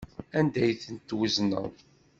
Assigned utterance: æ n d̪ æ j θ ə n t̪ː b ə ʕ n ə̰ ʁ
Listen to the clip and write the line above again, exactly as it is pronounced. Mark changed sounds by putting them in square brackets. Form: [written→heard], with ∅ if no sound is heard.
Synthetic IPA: æ n d̪ æ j θ ə n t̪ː [b→w] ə [ʕ→z] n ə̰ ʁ